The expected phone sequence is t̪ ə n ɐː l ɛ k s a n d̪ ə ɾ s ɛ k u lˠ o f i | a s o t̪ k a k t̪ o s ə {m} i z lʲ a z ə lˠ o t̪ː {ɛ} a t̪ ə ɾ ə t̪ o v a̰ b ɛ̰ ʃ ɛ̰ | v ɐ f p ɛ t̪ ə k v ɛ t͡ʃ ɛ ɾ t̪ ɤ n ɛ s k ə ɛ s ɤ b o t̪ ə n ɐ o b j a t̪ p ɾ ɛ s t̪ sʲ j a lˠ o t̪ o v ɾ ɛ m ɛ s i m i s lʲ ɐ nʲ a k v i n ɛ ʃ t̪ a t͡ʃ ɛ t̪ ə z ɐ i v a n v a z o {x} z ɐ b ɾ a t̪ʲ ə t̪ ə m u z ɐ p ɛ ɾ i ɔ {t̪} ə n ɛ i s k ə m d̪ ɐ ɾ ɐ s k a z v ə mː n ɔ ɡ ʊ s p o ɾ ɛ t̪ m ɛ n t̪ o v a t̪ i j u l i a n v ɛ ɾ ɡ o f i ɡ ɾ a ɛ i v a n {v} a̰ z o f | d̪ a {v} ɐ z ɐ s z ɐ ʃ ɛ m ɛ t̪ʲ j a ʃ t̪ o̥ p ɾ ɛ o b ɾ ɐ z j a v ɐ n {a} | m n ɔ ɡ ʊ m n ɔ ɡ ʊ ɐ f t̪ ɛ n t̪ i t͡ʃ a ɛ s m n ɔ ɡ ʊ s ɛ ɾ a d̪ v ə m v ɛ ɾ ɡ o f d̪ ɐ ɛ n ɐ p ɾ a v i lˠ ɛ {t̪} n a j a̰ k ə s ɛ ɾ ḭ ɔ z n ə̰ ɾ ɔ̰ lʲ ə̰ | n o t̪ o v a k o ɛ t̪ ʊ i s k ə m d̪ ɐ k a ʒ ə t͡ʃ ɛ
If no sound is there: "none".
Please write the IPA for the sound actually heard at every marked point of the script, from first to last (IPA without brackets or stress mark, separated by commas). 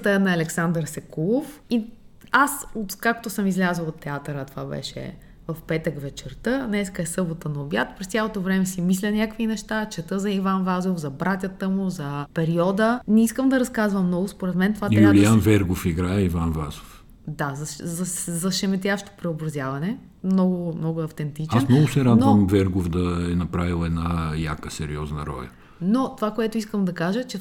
m, ɛ, f, d̪, v, z, ɛ, d̪